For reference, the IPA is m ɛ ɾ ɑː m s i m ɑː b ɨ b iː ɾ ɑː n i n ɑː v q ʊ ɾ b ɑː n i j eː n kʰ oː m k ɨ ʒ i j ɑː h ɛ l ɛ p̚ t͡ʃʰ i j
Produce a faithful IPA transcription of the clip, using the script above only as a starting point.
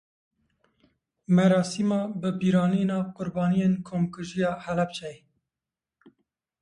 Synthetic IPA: m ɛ ɾ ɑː s i m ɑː b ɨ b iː ɾ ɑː n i n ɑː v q ʊ ɾ b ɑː n i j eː n kʰ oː m k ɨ ʒ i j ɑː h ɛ l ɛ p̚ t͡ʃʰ ɛ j